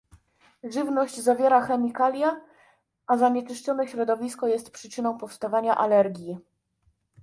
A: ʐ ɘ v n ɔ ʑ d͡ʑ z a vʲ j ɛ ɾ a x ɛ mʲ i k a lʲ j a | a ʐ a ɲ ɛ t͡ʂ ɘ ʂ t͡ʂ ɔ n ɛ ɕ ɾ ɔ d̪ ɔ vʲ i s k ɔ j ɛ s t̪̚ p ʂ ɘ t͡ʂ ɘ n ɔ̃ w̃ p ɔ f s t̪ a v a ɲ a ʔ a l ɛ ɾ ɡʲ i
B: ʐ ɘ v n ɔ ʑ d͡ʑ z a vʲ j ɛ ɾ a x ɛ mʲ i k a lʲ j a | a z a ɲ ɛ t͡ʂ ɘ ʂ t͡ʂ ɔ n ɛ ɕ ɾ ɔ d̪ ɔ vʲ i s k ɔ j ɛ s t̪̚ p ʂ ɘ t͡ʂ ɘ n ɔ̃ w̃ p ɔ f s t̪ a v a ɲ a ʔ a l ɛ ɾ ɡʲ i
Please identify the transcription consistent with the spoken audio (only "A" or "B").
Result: B